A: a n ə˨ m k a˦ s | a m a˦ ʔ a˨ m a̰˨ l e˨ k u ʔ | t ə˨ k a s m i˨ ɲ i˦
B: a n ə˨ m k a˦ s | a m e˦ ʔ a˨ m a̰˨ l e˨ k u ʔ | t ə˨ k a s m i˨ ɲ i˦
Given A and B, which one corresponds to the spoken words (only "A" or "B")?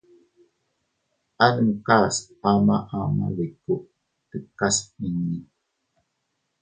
A